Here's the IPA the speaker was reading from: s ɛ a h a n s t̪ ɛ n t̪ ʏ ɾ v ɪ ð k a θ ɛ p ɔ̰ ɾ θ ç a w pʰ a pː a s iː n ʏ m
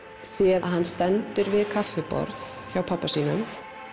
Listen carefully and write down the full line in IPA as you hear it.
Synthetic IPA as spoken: s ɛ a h a n s t̪ ɛ n t̪ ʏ ɾ v ɪ ð kʰ a f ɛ p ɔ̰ ɾ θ ç a w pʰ a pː a s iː n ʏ m